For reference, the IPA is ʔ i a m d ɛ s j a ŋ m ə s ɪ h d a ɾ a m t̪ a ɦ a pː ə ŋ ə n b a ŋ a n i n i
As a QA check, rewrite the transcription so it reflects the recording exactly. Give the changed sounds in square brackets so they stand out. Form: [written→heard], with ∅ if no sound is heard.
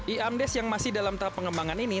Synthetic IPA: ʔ i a m d ɛ s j a ŋ m [ə→a] s ɪ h d a [ɾ→l] a m t̪ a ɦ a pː ə ŋ ə [n→m] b a ŋ a n i n i